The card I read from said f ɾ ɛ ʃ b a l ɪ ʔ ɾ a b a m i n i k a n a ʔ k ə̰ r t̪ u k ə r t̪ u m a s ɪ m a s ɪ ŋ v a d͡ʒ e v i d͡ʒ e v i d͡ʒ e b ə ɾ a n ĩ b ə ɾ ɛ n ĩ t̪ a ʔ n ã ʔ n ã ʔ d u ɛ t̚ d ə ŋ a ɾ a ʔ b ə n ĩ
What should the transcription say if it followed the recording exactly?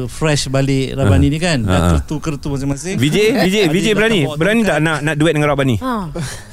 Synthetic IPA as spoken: f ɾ ɛ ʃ b a l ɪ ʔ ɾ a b a n i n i k a n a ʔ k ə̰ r t̪ u k ə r t̪ u m a s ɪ m a s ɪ ŋ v i d͡ʒ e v i d͡ʒ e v i d͡ʒ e b ə ɾ a n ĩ b ə ɾ a n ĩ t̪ a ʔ n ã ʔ n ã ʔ d u ɛ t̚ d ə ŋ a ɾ a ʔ b a n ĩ